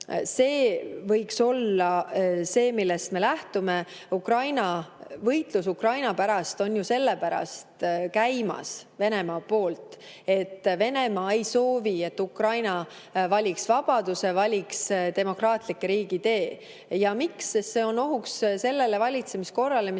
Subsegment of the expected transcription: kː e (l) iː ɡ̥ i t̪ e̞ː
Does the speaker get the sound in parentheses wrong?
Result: yes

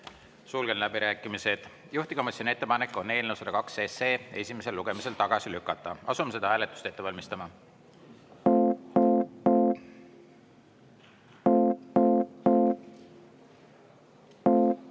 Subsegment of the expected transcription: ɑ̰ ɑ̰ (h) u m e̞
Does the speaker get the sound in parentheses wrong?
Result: yes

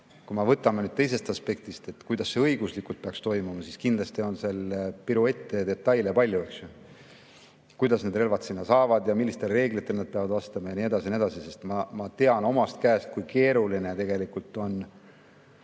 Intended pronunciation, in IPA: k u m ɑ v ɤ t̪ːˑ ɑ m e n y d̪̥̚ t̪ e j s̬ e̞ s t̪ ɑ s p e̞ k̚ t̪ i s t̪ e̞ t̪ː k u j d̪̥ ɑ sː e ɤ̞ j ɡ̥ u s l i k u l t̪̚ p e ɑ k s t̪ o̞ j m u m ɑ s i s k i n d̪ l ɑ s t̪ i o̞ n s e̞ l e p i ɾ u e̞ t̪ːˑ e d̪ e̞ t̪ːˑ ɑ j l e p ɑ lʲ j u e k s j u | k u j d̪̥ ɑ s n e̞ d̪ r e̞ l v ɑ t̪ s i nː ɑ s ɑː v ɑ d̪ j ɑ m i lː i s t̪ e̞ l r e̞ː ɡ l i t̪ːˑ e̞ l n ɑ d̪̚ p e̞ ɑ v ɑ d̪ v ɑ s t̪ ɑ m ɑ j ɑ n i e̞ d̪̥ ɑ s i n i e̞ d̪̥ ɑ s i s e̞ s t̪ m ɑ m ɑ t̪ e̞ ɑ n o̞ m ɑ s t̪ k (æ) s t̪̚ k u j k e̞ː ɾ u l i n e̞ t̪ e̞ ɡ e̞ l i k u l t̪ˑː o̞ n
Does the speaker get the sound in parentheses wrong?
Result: yes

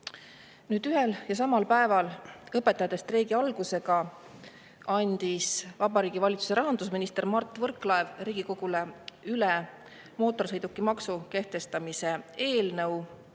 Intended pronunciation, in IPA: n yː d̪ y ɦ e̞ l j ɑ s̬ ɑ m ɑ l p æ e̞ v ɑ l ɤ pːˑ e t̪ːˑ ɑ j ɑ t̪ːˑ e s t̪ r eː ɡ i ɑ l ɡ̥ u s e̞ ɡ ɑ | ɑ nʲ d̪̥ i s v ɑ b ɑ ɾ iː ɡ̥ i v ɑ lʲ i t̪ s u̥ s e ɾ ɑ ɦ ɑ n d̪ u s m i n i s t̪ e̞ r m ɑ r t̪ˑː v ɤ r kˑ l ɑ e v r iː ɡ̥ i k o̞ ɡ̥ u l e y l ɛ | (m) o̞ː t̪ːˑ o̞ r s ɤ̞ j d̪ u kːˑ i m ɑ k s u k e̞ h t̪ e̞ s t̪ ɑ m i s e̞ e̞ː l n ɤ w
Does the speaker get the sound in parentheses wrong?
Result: no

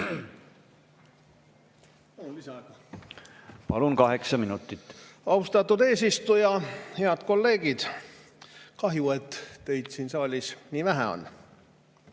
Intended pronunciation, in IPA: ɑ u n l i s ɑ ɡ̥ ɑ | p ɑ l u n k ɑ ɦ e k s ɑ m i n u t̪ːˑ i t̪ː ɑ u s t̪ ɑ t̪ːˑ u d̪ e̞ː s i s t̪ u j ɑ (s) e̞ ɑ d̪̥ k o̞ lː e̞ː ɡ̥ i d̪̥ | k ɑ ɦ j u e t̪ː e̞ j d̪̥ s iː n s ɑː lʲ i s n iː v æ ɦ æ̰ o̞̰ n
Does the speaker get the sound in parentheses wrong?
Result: yes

